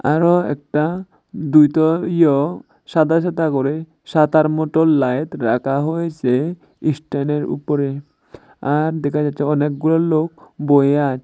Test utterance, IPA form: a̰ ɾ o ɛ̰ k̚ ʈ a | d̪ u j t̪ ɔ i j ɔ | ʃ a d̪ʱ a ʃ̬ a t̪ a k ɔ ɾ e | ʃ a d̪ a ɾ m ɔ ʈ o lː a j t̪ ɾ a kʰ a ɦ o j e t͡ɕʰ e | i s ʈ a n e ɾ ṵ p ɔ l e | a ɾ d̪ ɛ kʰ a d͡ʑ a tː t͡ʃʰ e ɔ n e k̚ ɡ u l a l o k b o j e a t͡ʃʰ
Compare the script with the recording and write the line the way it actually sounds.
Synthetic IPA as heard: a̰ ɾ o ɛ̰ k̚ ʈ a | d̪ u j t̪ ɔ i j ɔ | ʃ a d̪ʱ a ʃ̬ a t̪ a k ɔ ɾ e | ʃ a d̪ a ɾ m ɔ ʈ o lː a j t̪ ɾ a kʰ a ɦ o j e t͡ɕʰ e | i s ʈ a n e ɾ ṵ p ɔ ɾ e | a ɾ d̪ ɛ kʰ a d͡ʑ a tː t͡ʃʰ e ɔ n e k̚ ɡ u l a l o k b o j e a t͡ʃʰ